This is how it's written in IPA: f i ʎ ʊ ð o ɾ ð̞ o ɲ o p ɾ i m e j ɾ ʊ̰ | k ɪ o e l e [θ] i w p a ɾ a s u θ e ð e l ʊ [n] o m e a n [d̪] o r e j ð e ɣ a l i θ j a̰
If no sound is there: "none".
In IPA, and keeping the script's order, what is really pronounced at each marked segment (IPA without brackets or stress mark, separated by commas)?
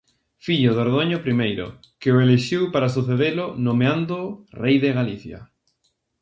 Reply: ʃ, n, d̪